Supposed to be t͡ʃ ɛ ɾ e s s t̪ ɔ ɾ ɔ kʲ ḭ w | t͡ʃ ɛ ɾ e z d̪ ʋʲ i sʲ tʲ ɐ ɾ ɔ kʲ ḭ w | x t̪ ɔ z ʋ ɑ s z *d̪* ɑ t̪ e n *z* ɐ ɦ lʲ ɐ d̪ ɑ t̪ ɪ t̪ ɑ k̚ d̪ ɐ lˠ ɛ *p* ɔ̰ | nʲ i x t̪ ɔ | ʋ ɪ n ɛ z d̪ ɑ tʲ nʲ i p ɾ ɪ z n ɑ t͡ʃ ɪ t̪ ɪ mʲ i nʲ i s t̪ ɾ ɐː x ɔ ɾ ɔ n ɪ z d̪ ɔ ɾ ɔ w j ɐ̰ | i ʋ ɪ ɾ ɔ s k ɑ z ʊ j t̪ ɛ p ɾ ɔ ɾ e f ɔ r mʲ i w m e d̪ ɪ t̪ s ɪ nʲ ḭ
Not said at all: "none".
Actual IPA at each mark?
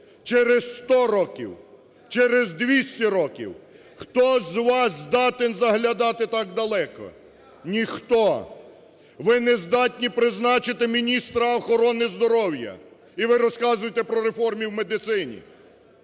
d̪, z, k

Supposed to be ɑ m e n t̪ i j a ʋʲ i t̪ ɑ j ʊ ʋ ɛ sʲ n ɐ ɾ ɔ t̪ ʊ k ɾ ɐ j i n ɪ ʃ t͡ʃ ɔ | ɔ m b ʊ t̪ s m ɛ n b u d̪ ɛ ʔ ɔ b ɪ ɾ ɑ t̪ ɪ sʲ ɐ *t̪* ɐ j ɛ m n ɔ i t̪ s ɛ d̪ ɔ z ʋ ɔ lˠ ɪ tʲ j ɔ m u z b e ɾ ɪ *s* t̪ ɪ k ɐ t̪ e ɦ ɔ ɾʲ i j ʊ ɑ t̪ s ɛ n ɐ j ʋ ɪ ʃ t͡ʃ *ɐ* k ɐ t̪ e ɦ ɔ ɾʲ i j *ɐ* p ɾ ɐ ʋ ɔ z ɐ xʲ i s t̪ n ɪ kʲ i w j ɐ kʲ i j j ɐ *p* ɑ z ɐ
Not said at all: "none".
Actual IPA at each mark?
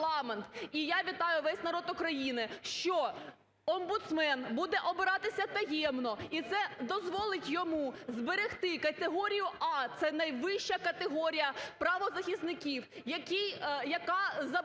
t̪, x, ɐ, ɐ, k

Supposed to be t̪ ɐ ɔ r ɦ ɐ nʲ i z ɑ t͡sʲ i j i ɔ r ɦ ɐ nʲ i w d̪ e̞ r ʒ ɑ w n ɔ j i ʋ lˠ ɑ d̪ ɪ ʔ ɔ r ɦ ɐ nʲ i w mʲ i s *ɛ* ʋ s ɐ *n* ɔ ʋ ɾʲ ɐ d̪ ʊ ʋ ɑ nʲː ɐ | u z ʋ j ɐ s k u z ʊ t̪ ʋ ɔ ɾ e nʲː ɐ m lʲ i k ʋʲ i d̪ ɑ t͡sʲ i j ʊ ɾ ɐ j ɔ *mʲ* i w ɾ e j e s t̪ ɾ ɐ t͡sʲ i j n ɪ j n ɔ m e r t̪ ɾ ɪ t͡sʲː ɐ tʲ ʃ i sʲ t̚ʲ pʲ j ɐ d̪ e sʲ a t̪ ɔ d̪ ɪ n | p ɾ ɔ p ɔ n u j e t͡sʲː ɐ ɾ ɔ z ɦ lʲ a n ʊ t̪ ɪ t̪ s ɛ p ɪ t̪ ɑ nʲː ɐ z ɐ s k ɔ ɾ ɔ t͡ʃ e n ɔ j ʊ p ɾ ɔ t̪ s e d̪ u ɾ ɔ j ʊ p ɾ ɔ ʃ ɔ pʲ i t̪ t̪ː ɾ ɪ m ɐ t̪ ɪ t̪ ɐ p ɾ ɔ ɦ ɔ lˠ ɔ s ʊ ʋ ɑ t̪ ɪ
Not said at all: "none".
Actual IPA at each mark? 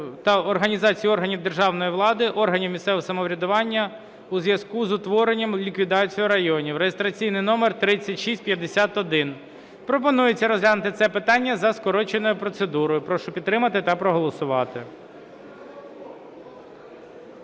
ɛ, m, nʲ

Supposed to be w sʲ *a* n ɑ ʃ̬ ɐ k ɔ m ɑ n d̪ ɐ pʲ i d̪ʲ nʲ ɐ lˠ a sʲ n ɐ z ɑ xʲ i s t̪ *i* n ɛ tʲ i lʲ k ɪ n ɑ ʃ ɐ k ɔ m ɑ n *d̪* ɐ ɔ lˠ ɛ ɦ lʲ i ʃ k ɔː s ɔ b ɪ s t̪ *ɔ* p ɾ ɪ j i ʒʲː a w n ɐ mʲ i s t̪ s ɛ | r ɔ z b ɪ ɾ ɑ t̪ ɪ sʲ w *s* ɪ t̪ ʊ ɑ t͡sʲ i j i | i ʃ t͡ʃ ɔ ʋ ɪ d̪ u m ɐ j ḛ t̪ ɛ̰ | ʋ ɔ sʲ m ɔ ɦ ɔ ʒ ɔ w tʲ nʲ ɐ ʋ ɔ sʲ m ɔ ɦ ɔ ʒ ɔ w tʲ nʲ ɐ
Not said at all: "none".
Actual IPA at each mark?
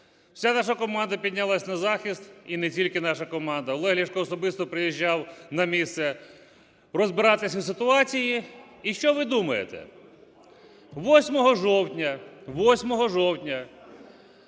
a, i, d̪, ɔ, s

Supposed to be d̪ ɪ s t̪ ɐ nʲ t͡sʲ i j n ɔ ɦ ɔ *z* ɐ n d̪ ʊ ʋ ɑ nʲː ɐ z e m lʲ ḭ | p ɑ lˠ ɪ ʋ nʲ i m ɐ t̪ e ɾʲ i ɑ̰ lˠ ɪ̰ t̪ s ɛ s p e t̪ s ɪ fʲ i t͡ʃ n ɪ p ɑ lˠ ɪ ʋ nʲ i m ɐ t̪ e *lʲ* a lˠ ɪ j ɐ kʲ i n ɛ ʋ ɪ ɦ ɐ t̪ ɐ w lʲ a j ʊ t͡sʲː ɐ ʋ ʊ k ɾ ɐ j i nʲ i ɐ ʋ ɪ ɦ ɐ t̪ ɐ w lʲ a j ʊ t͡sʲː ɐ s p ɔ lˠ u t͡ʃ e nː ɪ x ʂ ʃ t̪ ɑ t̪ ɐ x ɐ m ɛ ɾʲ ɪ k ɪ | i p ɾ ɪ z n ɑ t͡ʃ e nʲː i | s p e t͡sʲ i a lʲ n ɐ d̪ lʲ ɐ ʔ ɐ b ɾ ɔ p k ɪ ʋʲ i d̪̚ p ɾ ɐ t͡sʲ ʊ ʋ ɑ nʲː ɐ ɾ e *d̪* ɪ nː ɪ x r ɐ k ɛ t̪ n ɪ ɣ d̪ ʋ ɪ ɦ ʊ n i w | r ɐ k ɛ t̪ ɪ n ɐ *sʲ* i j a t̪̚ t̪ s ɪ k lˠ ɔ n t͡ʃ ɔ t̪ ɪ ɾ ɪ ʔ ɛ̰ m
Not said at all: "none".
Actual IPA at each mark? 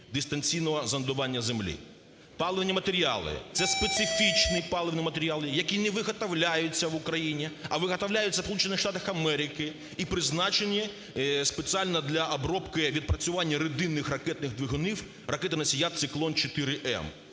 z, ɾʲ, d̪, sʲ

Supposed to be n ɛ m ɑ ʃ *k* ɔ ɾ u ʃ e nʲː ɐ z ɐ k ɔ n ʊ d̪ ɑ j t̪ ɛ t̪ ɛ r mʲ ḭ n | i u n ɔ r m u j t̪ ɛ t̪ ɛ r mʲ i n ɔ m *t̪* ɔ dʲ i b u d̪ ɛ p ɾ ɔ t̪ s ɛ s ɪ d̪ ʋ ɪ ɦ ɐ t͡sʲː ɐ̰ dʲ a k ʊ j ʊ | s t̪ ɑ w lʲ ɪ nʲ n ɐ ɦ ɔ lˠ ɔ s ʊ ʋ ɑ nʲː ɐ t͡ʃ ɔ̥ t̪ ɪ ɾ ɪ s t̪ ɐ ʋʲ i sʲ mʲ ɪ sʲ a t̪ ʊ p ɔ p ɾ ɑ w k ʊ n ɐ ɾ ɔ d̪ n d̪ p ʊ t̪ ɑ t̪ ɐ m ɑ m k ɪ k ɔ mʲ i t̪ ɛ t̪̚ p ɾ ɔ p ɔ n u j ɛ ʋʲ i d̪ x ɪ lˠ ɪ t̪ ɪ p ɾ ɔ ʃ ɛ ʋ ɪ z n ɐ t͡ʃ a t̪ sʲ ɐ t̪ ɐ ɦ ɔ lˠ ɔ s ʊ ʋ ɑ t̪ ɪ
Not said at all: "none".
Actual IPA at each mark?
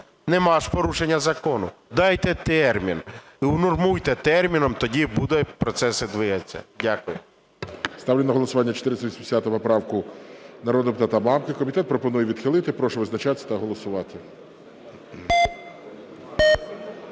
p, t̪

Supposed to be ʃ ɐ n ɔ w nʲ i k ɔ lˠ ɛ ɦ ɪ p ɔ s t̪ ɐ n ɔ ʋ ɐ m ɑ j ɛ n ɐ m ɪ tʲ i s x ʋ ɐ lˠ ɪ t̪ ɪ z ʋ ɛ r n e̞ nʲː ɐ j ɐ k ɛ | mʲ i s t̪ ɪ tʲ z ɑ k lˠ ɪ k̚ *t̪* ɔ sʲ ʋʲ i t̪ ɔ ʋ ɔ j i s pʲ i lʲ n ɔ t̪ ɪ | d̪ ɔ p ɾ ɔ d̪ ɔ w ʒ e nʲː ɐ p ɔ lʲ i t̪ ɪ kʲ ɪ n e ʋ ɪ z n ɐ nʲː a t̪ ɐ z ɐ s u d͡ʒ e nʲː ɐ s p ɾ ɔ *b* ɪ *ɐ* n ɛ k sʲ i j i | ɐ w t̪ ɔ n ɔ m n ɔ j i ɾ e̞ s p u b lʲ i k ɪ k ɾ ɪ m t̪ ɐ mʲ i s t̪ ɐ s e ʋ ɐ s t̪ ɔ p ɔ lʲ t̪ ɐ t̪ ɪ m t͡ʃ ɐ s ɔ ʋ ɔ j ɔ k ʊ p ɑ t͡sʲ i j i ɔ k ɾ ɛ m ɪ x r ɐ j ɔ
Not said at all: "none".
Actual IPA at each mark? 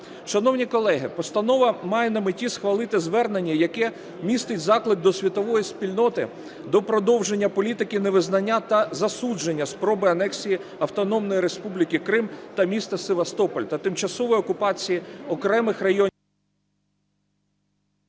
d̪, b, ɐ

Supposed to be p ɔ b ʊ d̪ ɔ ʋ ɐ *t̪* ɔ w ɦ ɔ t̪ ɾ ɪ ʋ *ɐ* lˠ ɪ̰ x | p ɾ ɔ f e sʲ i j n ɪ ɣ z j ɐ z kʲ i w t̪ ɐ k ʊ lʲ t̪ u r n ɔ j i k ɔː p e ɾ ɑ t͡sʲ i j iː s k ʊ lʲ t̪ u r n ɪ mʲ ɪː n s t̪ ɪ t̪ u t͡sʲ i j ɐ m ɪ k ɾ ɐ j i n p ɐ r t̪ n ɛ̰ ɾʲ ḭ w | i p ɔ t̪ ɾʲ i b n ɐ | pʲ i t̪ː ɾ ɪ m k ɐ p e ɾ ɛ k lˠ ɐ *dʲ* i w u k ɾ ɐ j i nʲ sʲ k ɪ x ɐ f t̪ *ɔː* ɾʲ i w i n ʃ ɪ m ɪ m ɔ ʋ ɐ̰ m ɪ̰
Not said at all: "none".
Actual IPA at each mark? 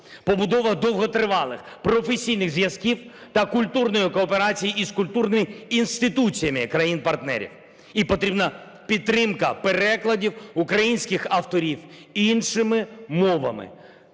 d̪, ɑ, dʲ, ɔ

